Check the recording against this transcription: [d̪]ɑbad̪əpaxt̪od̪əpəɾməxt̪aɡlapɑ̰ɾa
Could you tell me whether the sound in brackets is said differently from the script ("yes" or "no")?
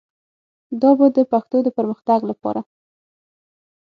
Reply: no